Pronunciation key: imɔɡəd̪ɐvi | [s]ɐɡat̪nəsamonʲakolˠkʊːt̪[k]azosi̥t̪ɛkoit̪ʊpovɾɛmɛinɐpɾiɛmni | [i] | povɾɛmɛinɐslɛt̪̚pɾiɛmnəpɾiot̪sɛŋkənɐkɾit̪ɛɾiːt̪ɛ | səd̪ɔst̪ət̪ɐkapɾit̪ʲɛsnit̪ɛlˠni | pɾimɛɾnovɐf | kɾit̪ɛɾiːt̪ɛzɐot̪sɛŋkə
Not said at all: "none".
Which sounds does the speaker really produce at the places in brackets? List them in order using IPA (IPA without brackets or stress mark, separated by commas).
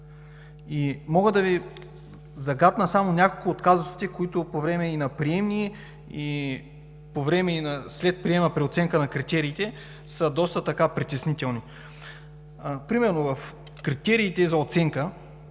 z, k, i